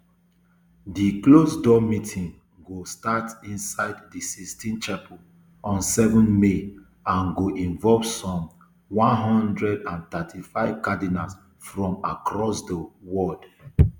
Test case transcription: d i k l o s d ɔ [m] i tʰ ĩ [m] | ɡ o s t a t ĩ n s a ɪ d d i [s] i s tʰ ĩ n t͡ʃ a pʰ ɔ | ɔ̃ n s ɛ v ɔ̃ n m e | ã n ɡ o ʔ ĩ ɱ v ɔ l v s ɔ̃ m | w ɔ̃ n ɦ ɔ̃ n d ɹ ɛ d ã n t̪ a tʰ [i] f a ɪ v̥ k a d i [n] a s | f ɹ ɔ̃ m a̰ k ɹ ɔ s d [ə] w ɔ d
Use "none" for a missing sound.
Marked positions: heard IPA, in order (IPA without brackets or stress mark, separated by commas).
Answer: m, ŋ, s, i, n, ə